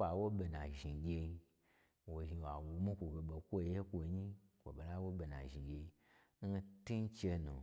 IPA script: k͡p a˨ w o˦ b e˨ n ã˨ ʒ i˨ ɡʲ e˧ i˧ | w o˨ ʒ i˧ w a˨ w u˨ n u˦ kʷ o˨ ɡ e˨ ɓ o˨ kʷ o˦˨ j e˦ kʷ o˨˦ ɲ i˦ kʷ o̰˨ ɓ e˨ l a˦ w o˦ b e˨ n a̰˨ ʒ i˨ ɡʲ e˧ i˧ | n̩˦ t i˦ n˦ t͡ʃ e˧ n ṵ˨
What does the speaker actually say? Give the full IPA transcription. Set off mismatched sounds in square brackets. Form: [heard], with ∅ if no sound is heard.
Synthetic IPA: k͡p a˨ w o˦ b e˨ n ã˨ ʒ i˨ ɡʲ e˧ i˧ | w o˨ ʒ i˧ w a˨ w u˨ [m] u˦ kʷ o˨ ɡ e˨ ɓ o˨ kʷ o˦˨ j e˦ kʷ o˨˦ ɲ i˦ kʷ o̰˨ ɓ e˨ l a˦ w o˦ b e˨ n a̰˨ ʒ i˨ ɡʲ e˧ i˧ | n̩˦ t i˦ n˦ t͡ʃ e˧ n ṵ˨